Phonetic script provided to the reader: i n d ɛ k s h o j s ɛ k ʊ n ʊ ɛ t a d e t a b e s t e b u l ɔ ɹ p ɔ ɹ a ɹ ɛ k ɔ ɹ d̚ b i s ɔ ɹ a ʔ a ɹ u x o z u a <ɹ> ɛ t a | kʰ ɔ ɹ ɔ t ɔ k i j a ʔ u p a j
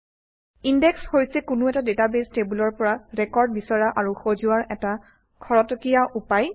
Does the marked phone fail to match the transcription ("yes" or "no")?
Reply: no